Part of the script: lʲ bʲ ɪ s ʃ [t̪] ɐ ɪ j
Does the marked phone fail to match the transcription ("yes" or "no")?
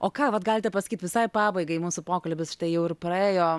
no